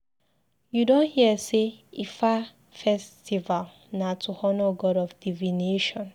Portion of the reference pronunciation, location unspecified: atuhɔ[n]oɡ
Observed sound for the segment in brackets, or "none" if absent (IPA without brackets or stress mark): n